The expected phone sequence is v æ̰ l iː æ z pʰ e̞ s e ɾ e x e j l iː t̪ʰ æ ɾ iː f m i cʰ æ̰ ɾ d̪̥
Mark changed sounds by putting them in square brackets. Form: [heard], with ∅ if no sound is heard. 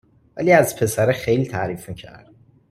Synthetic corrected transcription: v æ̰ l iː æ z pʰ e̞ s [æ] ɾ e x e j l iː t̪ʰ æ ɾ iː f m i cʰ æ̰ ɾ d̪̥